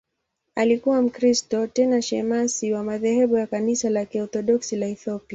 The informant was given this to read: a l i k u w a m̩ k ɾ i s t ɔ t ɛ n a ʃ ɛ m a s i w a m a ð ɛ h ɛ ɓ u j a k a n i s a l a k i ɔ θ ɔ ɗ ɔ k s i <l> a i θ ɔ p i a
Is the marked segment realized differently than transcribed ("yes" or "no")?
no